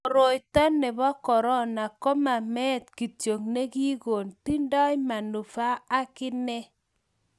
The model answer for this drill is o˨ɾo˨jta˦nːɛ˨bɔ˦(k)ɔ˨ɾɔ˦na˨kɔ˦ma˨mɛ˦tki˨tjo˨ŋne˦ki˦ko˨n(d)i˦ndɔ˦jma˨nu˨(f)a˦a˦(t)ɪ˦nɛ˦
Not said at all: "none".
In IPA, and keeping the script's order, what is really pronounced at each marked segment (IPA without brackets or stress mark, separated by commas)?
k, t, f, k